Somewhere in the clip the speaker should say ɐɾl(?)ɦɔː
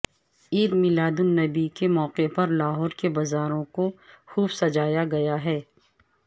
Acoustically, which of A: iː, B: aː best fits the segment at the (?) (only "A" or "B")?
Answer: B